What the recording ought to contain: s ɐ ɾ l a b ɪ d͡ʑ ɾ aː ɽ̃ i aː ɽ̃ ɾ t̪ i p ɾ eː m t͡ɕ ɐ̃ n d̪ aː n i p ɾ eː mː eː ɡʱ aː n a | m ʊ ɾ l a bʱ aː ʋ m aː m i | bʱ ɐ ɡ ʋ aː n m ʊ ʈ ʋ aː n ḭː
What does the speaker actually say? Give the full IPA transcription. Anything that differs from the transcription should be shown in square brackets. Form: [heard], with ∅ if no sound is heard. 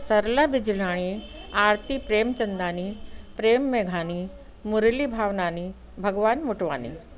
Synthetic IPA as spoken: s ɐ ɾ l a b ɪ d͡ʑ [l] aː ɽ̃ i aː [∅] ɾ t̪ i p ɾ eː m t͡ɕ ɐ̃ n d̪ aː n i p ɾ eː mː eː ɡʱ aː n [i] | m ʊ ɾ l [i] bʱ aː ʋ [n] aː [n] i | bʱ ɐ ɡ ʋ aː n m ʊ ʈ ʋ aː n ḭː